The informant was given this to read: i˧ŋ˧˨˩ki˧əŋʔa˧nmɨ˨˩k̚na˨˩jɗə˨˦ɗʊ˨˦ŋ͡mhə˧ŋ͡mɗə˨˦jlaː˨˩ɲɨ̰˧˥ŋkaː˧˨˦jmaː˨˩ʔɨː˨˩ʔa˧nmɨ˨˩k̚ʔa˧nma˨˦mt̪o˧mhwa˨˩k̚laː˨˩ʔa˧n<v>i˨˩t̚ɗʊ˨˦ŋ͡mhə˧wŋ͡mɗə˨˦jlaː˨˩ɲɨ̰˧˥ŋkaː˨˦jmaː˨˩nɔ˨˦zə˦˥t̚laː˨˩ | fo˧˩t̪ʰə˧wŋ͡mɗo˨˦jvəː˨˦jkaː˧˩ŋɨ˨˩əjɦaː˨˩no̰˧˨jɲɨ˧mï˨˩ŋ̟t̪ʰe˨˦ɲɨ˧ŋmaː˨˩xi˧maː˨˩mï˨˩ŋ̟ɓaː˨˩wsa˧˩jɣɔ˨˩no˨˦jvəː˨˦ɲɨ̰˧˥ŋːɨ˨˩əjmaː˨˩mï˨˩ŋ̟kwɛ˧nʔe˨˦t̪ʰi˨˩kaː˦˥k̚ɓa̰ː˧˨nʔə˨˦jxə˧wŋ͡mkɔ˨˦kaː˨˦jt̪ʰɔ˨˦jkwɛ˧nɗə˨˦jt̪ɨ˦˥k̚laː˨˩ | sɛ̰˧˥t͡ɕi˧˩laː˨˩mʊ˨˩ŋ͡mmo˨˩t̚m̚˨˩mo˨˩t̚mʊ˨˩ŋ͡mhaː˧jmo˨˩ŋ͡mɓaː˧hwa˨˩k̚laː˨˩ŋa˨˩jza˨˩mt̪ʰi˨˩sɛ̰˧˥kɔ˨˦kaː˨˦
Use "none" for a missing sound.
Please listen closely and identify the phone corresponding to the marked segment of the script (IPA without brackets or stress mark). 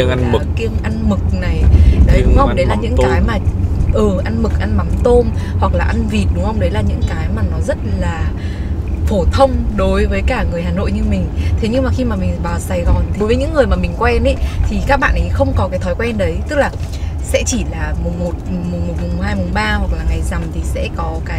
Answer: v